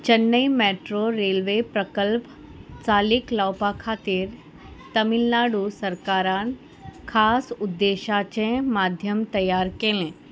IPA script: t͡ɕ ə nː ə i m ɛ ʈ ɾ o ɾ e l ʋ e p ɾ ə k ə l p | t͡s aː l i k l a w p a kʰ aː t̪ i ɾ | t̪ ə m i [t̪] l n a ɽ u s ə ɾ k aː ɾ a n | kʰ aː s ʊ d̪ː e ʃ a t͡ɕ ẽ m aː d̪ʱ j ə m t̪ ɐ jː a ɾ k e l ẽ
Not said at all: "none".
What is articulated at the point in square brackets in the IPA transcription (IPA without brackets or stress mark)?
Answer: none